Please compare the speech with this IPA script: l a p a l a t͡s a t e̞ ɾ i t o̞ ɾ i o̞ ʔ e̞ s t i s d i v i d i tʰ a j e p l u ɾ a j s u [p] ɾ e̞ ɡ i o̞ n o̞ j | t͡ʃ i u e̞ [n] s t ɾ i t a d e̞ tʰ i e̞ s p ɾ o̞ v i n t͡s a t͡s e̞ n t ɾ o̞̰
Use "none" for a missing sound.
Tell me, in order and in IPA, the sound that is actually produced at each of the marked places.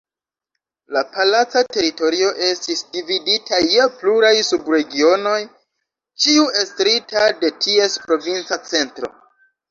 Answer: b, none

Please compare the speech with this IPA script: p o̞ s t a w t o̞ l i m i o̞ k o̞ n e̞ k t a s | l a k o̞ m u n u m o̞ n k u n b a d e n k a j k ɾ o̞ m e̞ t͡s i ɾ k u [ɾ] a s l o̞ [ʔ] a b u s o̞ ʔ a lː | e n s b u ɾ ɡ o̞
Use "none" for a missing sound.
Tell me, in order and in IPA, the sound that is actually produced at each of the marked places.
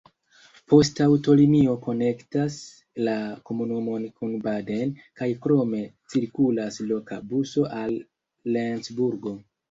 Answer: l, k

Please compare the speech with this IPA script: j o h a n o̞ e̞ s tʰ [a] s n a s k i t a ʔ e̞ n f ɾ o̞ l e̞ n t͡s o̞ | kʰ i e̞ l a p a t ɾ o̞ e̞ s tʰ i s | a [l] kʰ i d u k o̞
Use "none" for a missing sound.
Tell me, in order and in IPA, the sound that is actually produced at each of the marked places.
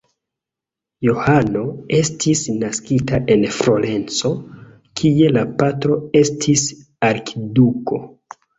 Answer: i, ɾ

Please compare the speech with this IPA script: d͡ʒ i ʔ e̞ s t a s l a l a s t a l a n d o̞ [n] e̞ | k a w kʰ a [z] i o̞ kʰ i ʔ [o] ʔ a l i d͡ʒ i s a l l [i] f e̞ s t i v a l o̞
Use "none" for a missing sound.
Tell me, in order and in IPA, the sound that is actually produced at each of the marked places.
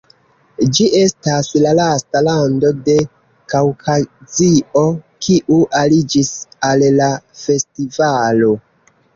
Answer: d, z, u, a

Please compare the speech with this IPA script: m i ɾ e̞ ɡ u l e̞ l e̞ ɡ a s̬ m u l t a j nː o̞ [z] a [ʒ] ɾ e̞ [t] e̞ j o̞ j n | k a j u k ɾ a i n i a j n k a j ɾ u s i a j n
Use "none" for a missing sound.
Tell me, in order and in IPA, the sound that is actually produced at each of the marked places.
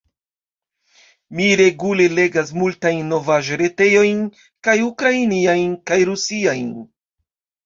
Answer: v, ʒ, t

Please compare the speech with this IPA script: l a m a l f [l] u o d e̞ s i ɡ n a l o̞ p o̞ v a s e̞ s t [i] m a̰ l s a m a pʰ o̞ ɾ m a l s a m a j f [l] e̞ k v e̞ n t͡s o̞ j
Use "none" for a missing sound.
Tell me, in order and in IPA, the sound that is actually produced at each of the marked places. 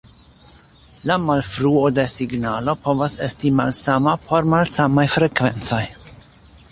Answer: ɾ, i, ɾ

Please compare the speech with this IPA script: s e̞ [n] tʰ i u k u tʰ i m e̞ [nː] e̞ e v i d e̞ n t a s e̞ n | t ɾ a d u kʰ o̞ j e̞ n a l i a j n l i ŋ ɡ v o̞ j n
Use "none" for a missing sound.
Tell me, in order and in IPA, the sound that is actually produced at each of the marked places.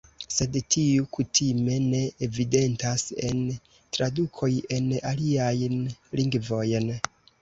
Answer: d, n

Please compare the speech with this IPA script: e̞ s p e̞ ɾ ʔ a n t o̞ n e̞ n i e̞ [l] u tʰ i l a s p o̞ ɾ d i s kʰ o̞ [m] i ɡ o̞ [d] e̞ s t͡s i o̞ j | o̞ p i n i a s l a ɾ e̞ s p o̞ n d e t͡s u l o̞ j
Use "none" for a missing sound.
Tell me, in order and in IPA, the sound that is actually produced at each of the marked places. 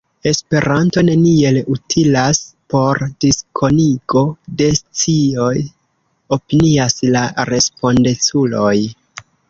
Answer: l, n, d

